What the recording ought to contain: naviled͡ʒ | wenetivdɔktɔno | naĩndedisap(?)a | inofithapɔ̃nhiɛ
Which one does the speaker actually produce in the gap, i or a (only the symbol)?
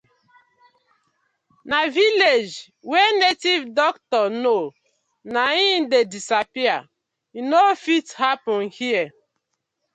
i